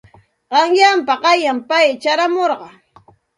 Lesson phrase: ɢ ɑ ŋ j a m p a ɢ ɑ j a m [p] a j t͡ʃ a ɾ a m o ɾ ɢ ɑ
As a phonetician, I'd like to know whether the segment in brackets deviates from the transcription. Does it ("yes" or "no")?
no